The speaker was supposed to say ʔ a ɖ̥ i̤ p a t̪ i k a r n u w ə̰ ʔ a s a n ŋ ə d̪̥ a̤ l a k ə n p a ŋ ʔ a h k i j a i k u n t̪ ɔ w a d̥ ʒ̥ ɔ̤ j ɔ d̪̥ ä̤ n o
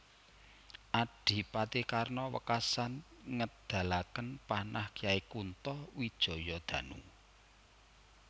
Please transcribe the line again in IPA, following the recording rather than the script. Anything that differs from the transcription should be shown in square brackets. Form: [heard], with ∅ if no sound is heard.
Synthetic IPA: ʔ a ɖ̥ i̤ p a t̪ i k a r n [ɔ] w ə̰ [k] a s a n ŋ ə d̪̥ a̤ l a k ə n p a [n] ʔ a h k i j a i k u n t̪ ɔ w [i] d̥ ʒ̥ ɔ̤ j ɔ d̪̥ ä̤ n [u]